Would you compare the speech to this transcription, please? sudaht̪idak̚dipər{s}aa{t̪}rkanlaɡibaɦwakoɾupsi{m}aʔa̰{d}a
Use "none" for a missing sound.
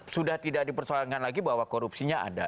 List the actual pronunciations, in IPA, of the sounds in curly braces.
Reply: s, none, ɲ, d

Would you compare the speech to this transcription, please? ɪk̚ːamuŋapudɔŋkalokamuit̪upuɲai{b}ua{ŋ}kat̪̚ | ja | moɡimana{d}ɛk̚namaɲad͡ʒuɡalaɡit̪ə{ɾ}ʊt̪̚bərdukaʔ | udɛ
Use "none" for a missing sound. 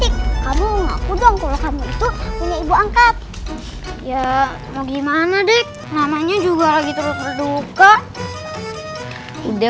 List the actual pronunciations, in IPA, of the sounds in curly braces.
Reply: b, ŋ, d, ɾ

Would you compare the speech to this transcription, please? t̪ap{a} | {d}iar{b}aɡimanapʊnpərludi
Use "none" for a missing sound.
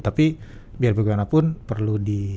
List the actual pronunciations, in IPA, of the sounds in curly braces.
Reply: i, b, b

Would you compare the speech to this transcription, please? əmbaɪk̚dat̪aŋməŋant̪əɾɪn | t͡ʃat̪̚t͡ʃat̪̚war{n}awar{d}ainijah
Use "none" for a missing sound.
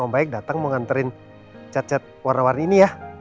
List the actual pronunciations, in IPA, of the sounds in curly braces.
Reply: n, n

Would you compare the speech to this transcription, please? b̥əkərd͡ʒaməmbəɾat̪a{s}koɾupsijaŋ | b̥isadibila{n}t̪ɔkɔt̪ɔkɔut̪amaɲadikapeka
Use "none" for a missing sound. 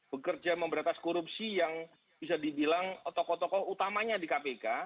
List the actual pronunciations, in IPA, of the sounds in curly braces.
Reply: s, ŋ

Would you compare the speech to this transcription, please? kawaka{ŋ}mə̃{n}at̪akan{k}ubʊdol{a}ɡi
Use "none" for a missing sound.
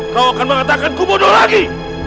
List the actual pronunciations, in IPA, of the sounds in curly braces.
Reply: n, ŋ, k, a

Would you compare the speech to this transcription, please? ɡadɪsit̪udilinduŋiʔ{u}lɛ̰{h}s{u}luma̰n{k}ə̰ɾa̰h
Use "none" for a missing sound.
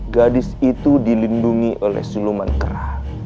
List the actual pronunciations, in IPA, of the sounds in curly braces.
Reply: o, h, u, k

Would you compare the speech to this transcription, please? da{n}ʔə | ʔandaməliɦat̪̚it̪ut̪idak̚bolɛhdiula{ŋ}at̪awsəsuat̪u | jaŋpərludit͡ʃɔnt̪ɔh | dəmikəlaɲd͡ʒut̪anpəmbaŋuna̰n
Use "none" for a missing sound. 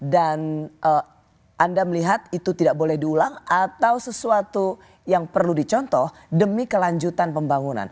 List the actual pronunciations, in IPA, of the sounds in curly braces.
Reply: n, ŋ

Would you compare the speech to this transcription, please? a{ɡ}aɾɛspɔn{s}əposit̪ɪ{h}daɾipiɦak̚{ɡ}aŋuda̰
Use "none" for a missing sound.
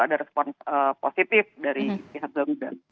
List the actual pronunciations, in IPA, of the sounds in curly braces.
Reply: d, s, f, ɡ

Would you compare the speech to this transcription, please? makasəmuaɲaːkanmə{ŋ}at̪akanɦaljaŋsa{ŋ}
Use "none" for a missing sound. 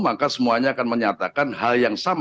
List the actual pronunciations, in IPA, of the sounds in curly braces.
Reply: ɲ, m

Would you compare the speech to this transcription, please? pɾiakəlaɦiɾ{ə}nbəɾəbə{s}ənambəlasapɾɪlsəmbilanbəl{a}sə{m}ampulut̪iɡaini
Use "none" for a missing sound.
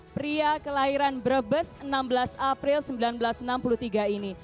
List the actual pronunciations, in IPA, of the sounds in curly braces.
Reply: a, s, a, n

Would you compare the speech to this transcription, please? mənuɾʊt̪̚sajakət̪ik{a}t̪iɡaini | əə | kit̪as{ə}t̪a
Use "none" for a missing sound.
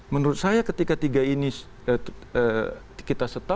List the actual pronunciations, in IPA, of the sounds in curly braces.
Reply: a, ə

